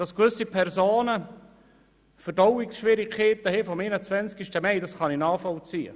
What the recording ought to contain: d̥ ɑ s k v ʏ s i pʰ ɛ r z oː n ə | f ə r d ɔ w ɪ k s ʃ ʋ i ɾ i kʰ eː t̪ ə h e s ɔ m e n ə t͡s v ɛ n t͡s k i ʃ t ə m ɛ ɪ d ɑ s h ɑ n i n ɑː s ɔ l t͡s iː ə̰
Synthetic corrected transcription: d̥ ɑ s k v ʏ s i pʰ ɛ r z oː n ə | f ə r d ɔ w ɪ k s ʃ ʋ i ɾ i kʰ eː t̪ ə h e f ɔ m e n ə t͡s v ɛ n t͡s k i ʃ t ə m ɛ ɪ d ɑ s χ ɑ n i n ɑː f ɔ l t͡s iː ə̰